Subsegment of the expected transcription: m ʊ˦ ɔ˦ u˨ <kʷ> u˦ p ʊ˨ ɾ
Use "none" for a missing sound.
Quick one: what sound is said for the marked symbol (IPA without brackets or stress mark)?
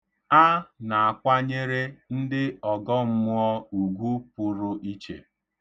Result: ɡʷ